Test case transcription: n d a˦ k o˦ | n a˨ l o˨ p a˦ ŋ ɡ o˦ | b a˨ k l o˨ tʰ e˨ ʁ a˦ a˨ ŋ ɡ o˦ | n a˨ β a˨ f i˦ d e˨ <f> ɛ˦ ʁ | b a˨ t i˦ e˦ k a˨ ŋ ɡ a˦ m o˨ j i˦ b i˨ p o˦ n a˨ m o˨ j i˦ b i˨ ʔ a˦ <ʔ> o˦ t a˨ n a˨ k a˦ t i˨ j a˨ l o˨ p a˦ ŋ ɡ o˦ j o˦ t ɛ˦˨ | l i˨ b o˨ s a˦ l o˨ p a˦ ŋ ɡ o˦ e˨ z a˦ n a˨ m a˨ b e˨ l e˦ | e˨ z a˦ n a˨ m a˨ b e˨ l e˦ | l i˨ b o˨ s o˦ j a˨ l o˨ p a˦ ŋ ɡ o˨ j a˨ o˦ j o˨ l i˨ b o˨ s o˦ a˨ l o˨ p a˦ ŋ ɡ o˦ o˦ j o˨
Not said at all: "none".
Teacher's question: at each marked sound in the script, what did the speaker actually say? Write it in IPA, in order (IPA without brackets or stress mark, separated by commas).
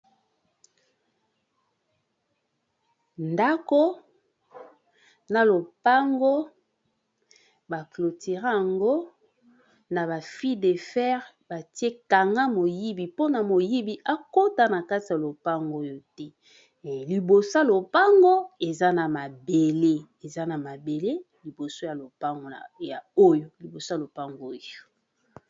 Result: f, k